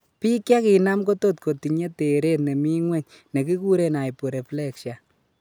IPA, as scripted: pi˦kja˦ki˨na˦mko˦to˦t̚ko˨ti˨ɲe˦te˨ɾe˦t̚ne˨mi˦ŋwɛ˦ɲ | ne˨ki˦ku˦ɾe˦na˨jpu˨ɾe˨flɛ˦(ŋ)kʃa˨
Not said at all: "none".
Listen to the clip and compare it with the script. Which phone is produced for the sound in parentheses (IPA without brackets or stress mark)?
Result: none